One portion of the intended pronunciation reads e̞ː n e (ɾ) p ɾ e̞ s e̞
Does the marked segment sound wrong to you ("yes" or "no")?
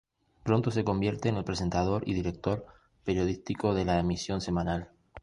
yes